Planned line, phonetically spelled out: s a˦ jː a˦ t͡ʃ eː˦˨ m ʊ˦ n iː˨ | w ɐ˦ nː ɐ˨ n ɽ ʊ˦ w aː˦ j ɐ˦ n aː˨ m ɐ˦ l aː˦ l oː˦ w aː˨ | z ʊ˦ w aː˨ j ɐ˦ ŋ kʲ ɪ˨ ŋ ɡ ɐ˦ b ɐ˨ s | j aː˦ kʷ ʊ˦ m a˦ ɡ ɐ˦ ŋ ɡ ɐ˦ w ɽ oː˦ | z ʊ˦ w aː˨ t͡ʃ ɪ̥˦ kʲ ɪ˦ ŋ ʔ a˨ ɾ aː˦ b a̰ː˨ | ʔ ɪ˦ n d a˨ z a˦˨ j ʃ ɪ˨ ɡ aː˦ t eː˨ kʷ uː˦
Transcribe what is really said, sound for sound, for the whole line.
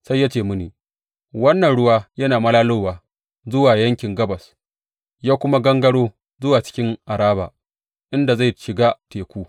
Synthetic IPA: s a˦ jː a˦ t͡ʃ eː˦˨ m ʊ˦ n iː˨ | w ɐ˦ nː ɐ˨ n ɽ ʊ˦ w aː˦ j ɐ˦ n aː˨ m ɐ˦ l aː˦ l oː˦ w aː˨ | z ʊ˦ w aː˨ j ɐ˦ ŋ kʲ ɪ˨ ŋ ɡ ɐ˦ b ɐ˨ s | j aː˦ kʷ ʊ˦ m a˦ ɡ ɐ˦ ŋ ɡ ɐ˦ ɽ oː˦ | z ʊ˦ w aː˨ t͡ʃ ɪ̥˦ kʲ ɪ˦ ŋ ʔ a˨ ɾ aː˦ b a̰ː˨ | ʔ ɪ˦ n d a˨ z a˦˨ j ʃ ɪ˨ ɡ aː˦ t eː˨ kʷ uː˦